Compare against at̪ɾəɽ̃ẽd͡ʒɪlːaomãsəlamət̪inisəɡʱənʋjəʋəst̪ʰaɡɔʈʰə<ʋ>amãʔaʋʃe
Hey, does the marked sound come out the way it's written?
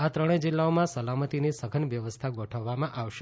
no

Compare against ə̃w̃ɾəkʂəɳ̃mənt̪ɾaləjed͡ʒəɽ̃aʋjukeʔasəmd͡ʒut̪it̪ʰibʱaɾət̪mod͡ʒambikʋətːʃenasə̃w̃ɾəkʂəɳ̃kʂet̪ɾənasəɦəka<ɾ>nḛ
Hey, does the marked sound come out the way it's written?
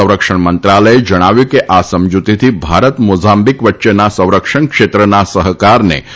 yes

